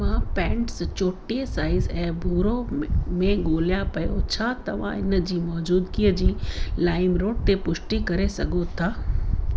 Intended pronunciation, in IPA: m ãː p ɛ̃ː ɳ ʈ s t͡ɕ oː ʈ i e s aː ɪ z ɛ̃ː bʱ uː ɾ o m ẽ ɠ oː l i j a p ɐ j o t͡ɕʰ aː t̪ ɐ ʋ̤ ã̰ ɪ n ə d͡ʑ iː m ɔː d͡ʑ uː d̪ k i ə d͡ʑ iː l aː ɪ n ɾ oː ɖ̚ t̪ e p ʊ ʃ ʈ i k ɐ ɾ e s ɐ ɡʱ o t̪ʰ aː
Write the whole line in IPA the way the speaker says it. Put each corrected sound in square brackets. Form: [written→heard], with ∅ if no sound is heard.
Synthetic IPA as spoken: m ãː p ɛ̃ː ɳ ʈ s t͡ɕ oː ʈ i e s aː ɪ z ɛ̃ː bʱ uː ɾ o m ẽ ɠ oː l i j a p ɐ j o t͡ɕʰ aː t̪ ɐ ʋ̤ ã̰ ɪ n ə d͡ʑ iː m ɔː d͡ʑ uː d̪ k i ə d͡ʑ iː l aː ɪ [n→m] ɾ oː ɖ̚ t̪ e p ʊ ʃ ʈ i k ɐ ɾ e s ɐ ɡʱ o t̪ʰ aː